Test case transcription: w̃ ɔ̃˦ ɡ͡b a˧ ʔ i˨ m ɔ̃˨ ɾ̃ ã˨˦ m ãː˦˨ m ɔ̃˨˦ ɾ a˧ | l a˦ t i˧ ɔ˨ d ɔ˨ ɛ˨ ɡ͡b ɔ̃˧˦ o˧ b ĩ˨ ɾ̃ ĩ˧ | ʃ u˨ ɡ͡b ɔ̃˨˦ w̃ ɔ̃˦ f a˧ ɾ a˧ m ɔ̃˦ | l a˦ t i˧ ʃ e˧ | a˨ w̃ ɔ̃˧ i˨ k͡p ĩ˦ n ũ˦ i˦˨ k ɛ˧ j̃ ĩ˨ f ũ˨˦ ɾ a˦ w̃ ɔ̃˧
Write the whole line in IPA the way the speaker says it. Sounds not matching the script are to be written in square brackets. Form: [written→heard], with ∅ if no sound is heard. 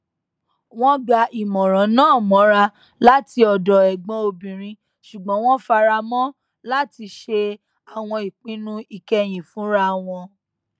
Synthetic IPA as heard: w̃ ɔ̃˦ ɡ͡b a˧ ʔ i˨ m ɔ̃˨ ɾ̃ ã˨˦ [m→n] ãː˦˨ m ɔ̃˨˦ ɾ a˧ | l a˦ t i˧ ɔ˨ d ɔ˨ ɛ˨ ɡ͡b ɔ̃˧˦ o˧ b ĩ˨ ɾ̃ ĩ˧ | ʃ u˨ ɡ͡b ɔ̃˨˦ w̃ ɔ̃˦ f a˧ ɾ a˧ m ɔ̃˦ | l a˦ t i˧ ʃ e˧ | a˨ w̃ ɔ̃˧ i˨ k͡p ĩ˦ n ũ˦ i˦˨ k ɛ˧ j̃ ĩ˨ f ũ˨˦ ɾ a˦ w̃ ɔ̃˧

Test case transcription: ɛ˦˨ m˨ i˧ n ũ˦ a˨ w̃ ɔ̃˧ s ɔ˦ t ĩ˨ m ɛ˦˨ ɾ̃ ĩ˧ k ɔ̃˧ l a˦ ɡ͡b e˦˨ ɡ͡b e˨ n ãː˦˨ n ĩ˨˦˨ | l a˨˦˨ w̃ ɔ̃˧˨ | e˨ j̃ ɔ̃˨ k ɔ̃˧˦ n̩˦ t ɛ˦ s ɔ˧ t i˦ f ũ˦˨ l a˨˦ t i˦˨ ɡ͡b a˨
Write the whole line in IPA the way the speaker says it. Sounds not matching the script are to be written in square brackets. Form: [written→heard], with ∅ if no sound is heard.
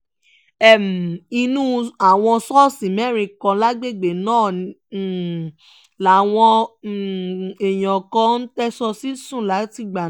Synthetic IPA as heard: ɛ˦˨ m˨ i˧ n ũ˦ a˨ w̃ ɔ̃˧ s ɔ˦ [t→s] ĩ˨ m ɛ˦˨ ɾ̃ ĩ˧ k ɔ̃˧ l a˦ ɡ͡b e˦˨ ɡ͡b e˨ n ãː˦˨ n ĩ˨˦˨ | l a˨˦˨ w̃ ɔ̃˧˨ | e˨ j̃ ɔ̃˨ k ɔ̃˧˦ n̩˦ t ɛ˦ s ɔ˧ [t→s] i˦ [f→s] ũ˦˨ l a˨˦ t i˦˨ ɡ͡b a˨

